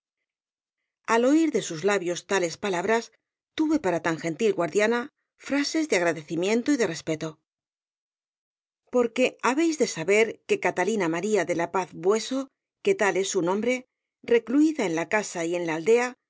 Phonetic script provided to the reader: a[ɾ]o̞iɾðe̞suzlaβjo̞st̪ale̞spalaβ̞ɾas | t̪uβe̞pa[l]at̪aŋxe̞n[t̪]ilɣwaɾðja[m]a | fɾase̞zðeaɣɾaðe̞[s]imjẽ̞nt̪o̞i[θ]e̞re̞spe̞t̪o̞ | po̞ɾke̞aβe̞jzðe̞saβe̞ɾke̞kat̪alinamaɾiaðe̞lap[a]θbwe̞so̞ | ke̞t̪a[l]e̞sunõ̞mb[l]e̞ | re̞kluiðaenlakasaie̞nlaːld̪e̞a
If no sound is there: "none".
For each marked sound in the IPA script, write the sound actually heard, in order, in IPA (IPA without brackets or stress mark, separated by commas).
l, ɾ, t̪, n, θ, ð, a, l, ɾ